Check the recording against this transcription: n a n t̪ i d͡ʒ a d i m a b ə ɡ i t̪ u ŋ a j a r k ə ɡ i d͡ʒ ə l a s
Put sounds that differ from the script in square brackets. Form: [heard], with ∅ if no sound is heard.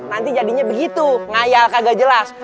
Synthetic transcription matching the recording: n a n t̪ i d͡ʒ a d i [ɲ] a b ə ɡ i t̪ u ŋ a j a [l] k [a] ɡ [a] d͡ʒ ə l a s